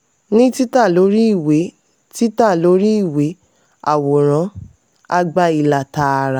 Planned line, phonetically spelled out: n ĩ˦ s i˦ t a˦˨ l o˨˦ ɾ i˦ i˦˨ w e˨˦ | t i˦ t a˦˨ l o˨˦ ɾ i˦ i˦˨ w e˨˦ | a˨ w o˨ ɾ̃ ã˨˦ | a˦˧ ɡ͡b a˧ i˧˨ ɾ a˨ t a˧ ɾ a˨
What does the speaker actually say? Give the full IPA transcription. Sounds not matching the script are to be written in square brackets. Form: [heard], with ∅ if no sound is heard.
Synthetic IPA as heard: n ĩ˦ [t] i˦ t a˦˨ l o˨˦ ɾ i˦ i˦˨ w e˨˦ | t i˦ t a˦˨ l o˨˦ ɾ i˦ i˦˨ w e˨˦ | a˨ w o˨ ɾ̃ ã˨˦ | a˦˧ ɡ͡b a˧ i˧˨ [l] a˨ t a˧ ɾ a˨